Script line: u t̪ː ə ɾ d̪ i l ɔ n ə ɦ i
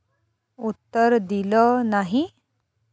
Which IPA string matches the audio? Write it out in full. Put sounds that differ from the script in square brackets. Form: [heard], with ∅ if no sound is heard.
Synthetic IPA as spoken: u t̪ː ə ɾ d̪ i l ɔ n [a] ɦ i

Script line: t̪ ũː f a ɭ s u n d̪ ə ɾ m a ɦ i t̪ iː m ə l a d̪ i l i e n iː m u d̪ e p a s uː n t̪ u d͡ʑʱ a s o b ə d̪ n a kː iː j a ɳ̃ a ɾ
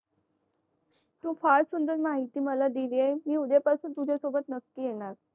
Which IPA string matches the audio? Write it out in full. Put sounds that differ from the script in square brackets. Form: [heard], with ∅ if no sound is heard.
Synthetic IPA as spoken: t̪ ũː f a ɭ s u n d̪ ə ɾ m a ɦ i t̪ iː m ə l a d̪ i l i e [m] iː [∅] u d̪ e p a s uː n t̪ u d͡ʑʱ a s o b ə [t̪] n [ə] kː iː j [e] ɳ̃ a ɾ

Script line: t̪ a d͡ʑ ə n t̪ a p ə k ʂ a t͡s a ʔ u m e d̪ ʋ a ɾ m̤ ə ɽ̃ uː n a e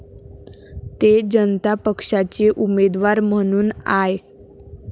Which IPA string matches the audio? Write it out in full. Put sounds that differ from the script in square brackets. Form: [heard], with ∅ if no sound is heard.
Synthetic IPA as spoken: t̪ [e] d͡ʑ ə n t̪ a p ə k ʂ a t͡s [e] ʔ u m e d̪ ʋ a ɾ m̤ ə ɽ̃ uː n a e

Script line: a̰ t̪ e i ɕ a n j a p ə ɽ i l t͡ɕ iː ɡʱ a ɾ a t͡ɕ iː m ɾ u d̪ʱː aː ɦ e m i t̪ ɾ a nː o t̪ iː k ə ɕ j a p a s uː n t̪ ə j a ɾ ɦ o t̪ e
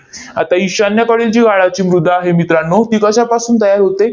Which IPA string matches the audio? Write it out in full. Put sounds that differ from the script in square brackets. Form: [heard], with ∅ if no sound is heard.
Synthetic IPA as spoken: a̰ t̪ [a] i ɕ a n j a [k] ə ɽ i l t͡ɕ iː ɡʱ a [ɭ] a t͡ɕ iː m ɾ u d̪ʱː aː ɦ e m i t̪ ɾ a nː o t̪ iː k ə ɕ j a p a s uː n t̪ ə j a ɾ ɦ o t̪ e

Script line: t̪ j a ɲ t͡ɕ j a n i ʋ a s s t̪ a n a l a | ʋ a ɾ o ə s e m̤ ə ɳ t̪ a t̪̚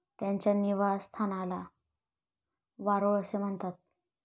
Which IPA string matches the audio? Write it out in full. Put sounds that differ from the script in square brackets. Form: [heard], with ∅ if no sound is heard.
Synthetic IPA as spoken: t̪ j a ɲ t͡ɕ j a n i ʋ a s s [t̪ʰ] a n a l a | ʋ a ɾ o ə s e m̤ ə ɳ t̪ a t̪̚

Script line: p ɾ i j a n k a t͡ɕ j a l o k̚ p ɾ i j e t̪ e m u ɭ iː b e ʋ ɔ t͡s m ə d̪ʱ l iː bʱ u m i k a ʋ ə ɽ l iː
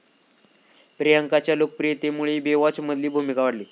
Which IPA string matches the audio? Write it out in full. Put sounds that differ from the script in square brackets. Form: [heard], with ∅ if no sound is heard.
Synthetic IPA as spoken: p ɾ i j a [ŋ] k a t͡ɕ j a l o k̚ p ɾ i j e t̪ e m u ɭ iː b e ʋ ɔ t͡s m ə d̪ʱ l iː bʱ u m i k a ʋ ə ɽ l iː

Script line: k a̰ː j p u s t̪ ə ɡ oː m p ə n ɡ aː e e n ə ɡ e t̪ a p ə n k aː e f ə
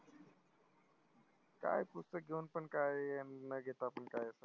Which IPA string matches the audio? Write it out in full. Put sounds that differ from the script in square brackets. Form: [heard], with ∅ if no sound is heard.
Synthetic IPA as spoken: k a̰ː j p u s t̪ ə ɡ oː [n] p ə n [k] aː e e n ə ɡ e t̪ a p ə n k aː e [s] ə

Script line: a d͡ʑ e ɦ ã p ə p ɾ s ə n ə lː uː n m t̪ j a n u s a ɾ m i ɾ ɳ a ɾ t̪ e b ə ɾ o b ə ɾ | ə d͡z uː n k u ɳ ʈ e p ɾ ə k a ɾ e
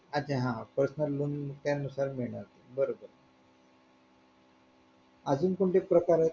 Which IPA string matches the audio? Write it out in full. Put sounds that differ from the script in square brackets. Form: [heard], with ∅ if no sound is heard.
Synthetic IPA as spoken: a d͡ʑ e ɦ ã p ə [∅] ɾ s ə n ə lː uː n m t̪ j a n u s a ɾ m i [ɭ] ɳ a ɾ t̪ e b ə ɾ o b ə ɾ | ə d͡z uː n k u ɳ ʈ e p ɾ ə k a ɾ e

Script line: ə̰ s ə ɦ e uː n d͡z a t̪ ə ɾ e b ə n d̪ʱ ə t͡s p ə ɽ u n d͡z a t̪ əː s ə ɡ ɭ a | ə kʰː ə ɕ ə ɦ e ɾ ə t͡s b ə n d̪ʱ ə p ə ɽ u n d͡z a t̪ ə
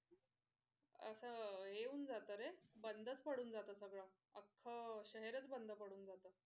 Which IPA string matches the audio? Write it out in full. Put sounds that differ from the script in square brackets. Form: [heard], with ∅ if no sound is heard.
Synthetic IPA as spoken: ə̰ s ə ɦ e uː n d͡z a t̪ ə ɾ e b ə n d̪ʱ ə t͡s p ə ɽ [uː] n d͡z a t̪ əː s ə ɡ ɭ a | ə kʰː ə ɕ ə ɦ e ɾ ə t͡s b ə n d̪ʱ ə p ə ɽ [uː] n d͡z a t̪ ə

